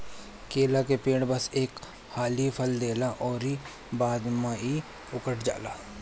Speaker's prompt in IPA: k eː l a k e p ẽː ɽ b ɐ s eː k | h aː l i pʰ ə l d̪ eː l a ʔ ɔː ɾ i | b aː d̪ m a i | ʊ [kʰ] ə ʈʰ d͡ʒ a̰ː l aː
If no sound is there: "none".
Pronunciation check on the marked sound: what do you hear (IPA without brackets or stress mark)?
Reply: k